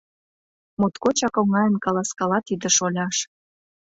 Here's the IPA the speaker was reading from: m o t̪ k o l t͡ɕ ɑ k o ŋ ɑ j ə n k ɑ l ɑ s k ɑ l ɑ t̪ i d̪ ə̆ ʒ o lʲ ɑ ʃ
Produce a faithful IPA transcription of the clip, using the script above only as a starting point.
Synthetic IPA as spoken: m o t̪ k o t͡ɕ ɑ k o ŋ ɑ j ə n k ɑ l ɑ s k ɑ l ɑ t̪ i d̪ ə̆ ʃ o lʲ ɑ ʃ